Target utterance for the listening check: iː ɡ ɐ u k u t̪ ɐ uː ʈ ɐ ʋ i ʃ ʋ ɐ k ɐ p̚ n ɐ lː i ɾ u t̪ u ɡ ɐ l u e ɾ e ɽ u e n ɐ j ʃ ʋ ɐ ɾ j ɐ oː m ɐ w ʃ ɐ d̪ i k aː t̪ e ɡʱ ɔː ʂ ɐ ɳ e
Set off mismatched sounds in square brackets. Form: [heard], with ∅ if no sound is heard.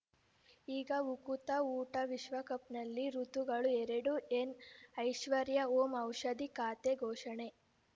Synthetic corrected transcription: iː ɡ ɐ u k u t̪ ɐ uː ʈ ɐ ʋ i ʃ ʋ ɐ k ɐ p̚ n ɐ lː i ɾ u t̪ u ɡ ɐ [ɭ] u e ɾ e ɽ u e n ɐ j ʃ ʋ ɐ ɾ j ɐ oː m ɐ w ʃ ɐ d̪ i k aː t̪ e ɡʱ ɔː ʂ ɐ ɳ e